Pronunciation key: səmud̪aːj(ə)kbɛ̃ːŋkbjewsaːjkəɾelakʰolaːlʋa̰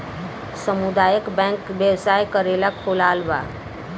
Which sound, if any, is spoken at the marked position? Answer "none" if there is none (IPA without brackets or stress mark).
ə